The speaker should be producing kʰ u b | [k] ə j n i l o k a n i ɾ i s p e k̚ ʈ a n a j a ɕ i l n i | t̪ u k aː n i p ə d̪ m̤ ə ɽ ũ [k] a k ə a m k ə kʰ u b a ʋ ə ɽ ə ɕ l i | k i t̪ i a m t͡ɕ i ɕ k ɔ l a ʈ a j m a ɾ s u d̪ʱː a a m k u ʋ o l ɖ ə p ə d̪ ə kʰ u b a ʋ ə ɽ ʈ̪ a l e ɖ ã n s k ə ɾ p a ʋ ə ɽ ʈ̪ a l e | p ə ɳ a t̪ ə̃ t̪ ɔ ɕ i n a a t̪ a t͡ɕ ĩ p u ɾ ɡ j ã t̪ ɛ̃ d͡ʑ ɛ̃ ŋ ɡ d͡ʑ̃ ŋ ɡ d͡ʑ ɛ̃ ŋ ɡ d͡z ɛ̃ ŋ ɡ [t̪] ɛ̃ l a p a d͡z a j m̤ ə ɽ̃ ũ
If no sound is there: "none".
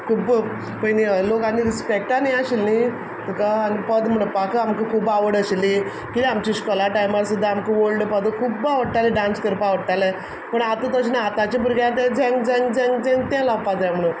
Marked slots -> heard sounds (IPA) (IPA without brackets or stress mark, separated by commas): p, p, t̪